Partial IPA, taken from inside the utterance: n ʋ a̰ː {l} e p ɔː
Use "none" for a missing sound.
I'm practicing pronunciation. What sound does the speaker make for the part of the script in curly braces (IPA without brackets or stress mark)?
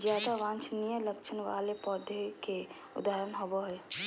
l